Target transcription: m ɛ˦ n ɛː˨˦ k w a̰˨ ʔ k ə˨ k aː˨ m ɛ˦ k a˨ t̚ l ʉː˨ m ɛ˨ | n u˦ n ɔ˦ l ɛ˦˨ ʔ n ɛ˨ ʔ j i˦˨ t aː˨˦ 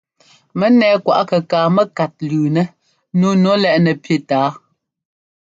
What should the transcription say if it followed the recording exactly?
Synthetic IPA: m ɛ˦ n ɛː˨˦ k w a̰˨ ʔ k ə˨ k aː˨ m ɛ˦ k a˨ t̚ l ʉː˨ n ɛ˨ | n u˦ n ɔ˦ l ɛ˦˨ ʔ n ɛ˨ p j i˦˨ t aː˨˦